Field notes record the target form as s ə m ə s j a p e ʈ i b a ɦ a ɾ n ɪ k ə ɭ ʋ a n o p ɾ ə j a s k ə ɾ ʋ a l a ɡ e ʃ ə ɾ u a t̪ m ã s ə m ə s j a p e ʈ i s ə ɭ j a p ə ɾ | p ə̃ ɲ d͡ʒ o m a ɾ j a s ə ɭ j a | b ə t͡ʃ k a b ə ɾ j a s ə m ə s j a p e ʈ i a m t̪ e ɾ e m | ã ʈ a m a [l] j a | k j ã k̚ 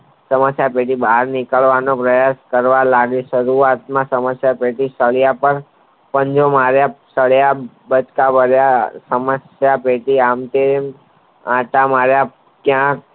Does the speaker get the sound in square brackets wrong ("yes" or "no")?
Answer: yes